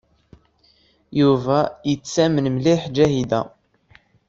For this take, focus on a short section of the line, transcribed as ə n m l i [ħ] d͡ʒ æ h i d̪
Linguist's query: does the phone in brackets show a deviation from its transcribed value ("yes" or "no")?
no